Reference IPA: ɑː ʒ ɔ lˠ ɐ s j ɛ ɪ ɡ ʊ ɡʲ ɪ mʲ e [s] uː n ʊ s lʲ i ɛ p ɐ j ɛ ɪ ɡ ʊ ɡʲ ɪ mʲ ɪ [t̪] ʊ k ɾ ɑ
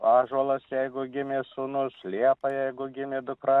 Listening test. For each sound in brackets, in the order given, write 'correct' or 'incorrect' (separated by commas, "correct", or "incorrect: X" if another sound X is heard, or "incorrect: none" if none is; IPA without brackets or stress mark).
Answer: correct, incorrect: d̪